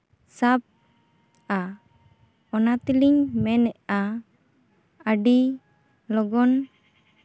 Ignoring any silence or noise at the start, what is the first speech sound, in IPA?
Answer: s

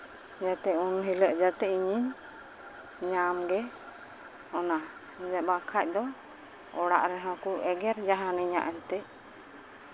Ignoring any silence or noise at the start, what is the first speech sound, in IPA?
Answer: d͡ʒ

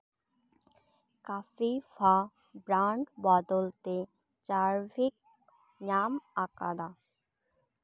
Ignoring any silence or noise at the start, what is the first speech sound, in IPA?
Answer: k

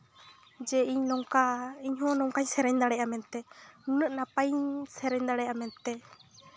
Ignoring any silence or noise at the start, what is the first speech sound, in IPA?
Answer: d͡ʒ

